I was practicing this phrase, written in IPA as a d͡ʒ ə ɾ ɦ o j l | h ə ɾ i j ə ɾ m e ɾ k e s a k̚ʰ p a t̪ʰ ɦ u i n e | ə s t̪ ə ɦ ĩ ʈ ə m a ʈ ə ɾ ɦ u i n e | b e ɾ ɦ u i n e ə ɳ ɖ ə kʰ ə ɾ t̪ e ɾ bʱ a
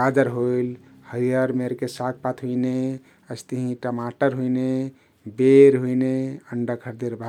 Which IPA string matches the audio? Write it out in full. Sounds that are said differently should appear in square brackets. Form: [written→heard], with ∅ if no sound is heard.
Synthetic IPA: a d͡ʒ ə ɾ ɦ o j l | h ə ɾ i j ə ɾ m e ɾ k e s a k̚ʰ p a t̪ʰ ɦ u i n e | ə s t̪ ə ɦ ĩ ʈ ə m a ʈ ə ɾ ɦ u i n e | b e ɾ ɦ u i n e ə ɳ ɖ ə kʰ ə ɾ [t̪→d̪] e ɾ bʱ a